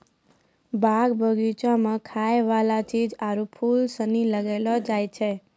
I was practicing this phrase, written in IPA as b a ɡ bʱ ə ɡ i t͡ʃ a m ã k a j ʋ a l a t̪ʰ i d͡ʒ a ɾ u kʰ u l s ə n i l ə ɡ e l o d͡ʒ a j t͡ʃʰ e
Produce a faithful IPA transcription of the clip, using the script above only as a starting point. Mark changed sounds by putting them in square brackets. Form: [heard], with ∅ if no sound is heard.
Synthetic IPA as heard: b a ɡ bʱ ə ɡ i t͡ʃ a m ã [kʰ] a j ʋ a l a t̪ʰ i d͡ʒ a ɾ u [pʰ] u l s ə n i l ə ɡ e l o d͡ʒ a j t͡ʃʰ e